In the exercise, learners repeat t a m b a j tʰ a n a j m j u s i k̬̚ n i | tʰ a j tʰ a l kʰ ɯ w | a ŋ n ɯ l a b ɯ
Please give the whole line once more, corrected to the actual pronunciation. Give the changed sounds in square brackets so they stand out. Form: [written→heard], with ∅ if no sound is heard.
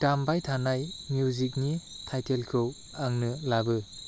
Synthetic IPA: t a m b a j tʰ a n a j m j u [s→z] i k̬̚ n i | tʰ a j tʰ [a→e] l kʰ ɯ w | a ŋ n ɯ l a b ɯ

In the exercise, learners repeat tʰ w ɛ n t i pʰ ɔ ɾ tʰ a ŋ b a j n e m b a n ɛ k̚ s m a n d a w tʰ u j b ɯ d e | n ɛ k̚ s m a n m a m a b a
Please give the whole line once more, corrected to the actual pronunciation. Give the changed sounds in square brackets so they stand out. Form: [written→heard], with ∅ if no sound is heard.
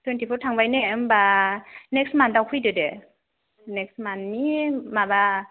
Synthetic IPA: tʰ w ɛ n t i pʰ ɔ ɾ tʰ a ŋ b a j n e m b a n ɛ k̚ s m a n d a w [tʰ→kʰ] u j [b→d] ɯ d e | n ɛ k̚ s m a n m [a→i] m a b a

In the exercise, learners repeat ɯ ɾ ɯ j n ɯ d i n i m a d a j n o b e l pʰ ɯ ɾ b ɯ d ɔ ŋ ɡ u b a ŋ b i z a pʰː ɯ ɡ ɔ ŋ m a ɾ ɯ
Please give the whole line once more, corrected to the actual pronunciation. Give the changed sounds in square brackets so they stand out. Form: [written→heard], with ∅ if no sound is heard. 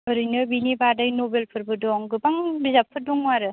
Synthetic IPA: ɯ ɾ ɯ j n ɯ [d→b] i n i [m→b] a d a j n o b e l pʰ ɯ ɾ b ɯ d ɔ ŋ ɡ [u→ɯ] b a ŋ b i z a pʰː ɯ [ɡ→d] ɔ ŋ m a ɾ ɯ

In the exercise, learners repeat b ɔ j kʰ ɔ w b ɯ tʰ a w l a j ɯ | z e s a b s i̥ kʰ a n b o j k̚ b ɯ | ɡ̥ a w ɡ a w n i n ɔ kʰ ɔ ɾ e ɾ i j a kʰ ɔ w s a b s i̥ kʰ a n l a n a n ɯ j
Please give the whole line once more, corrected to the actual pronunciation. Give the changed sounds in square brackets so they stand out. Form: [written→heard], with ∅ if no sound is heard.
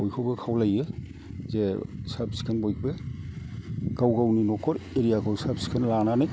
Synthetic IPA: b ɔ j kʰ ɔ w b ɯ [tʰ→kʰ] a w l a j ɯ | z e s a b s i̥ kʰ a n b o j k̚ b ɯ | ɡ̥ a w ɡ a w n i n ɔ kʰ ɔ ɾ e ɾ i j a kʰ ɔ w s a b s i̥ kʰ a n l a n a n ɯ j

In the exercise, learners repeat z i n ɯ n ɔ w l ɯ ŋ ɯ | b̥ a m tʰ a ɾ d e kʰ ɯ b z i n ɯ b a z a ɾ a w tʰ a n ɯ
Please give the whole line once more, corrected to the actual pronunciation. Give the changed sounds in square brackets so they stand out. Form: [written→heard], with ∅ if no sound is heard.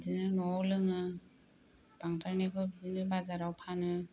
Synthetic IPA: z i n ɯ n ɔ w l ɯ ŋ ɯ | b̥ a [m→ŋ] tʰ a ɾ [d→n] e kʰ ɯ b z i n ɯ b a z a ɾ a w [tʰ→pʰ] a n ɯ

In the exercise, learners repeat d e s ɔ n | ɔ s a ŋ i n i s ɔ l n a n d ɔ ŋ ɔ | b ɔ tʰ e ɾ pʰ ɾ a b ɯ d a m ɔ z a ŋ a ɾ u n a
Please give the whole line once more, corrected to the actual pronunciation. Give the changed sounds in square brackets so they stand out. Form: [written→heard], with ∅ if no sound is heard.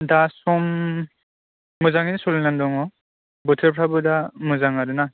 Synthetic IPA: d [e→a] s ɔ [n→m] | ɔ [s→z] a ŋ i n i s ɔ l n a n d ɔ ŋ ɔ | b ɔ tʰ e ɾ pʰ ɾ a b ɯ d a m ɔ z a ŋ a ɾ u n a

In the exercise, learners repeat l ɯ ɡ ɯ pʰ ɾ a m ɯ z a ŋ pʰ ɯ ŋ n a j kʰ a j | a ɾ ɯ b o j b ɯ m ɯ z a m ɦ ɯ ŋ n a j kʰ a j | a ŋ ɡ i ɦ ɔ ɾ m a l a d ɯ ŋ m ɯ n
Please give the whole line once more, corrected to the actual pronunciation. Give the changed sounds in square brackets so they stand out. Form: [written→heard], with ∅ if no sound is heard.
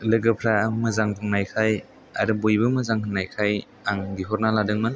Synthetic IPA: l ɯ ɡ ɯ pʰ ɾ a m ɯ z a ŋ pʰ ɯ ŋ n a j kʰ a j | a ɾ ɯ b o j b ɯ m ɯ z a [m→ŋ] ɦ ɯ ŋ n a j kʰ a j | a ŋ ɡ i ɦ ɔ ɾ [m→n] a l a d ɯ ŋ m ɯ n

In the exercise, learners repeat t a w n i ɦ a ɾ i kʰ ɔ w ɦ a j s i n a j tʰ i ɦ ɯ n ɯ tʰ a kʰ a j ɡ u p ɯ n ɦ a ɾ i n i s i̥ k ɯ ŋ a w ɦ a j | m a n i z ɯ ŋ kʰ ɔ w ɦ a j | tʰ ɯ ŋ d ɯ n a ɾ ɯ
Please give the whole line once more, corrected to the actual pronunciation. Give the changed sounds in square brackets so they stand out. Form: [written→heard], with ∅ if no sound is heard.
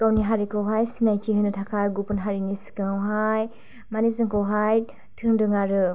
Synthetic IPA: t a w n i ɦ a ɾ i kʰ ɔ w ɦ a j s i n a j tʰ i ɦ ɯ n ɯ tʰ a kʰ a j ɡ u p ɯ n ɦ a ɾ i n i s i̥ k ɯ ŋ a w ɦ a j | m a n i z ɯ ŋ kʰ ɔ w ɦ a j | tʰ ɯ ŋ d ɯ [n→ŋ] a ɾ ɯ

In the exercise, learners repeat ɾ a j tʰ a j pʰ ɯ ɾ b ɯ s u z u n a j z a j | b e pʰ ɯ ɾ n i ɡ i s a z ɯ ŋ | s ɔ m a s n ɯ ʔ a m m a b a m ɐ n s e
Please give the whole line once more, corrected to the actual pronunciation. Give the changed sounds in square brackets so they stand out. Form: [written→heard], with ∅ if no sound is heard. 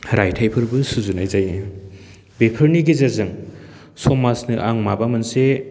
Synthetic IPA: ɾ a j tʰ a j pʰ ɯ ɾ b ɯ s u z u n a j z a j | b e pʰ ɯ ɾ n i ɡ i [s→z] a z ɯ ŋ | s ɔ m a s n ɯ ʔ a [m→ŋ] m a b a m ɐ n s e

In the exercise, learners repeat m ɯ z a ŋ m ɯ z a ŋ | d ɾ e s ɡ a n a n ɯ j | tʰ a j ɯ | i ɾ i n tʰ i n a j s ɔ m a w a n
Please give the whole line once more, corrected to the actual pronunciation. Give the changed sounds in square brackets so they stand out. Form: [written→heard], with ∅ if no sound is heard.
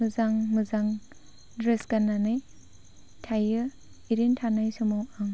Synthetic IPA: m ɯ z a ŋ m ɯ z a ŋ | d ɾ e s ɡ a n a n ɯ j | tʰ a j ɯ | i ɾ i n tʰ [i→a] n a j s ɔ m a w a [n→ŋ]

